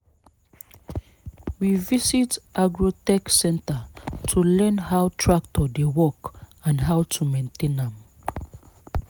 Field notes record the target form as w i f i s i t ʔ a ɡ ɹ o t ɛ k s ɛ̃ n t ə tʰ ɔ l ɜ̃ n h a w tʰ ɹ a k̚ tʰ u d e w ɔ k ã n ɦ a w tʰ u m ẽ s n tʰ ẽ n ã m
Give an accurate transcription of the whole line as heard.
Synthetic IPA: w i v i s i t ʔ a ɡ ɹ o t ɛ k s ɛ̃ n t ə tʰ u l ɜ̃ n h a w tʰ ɹ a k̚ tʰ ɔ d e w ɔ k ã n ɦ a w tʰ u m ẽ n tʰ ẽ n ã m

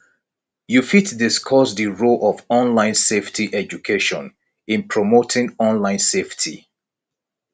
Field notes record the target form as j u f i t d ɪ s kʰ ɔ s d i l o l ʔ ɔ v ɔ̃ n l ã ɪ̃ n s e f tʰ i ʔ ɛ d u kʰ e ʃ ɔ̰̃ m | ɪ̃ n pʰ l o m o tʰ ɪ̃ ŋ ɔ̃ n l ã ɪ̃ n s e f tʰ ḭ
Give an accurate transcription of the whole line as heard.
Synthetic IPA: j u f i t d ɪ s kʰ ɔ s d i ɹ o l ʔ ɔ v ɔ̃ n l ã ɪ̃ n s e f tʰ i ʔ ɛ d͡ʒ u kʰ e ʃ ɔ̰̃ n | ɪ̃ n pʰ ɹ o m o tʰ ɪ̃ ŋ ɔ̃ n l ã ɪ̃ n s e f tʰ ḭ

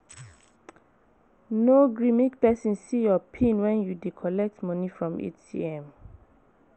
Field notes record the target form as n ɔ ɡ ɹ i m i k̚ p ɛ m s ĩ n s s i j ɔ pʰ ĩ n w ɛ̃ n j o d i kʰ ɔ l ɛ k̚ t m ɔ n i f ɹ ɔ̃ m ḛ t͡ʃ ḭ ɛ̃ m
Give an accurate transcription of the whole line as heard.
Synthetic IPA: n o ɡ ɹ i m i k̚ p ɛ s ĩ n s s i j ɔ pʰ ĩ n w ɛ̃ n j u d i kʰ ɔ l ɛ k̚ t m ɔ n i f ɹ ɔ̃ m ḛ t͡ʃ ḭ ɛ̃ m

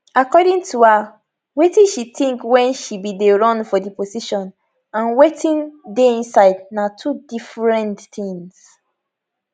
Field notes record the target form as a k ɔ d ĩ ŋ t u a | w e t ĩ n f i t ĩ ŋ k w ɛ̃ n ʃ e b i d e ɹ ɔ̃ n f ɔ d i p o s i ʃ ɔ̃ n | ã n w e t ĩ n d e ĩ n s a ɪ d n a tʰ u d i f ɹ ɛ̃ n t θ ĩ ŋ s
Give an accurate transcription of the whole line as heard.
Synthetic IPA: a k ɔ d ĩ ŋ t u a | w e t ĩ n ʃ i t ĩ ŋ k w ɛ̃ n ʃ i b i d e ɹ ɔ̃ n f ɔ d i p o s i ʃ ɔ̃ n | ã n w e t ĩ n d e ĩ n s a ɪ d n a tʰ u d i f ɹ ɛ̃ n t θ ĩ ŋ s

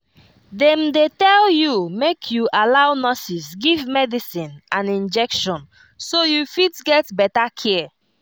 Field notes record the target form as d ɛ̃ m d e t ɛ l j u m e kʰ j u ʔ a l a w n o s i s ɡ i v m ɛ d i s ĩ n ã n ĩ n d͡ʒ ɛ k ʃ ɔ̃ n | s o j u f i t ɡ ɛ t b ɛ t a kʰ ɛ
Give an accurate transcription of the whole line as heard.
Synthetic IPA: d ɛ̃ m d e t ɛ l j u m e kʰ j u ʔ a l a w n ɔ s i s ɡ i v m ɛ d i s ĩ n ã n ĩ n d͡ʒ ɛ k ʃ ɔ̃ n | s o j u f i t ɡ ɛ t b ɛ t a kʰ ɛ

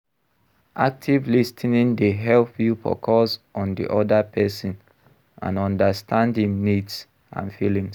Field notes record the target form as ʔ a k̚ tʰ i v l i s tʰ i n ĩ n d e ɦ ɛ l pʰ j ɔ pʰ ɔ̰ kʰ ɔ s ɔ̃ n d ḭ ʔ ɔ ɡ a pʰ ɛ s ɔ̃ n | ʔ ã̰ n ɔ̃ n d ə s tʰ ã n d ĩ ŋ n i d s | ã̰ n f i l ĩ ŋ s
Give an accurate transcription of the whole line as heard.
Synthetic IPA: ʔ a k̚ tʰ i v l i s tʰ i n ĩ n d e ɦ ɛ l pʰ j u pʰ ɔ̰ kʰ ɔ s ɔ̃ n d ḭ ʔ ɔ d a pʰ ɛ s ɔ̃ n | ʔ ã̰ n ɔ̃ n d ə s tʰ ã n d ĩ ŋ n i d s | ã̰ n f i l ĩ ŋ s

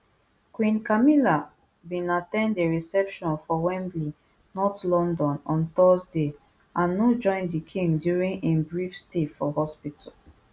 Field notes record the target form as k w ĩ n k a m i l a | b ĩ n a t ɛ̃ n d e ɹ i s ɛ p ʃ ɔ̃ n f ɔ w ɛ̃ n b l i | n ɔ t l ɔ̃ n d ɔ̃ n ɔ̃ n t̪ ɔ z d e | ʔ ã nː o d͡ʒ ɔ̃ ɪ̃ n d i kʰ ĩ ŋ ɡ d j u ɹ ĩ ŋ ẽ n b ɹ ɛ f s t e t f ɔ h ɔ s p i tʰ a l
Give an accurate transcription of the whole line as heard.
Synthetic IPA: k w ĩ n k a m i l a | b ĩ n a t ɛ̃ n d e ɹ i s ɛ p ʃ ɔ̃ n f ɔ w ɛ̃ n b l i | n ɔ t l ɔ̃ n d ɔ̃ n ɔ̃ n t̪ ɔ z d e | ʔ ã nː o d͡ʒ ɔ̃ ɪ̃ n d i kʰ ĩ ŋ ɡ d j u ɹ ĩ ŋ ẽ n b ɹ i f s t e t f ɔ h ɔ s p i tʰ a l

